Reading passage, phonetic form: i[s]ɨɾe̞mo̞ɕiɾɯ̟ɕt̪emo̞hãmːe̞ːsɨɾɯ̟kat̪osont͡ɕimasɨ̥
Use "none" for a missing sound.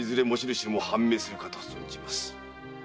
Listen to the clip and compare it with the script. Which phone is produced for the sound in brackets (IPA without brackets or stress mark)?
z